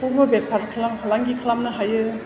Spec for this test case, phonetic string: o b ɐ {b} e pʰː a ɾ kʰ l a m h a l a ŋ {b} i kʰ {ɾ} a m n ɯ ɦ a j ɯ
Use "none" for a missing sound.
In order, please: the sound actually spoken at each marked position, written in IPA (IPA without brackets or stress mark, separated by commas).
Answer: b, ɡ, l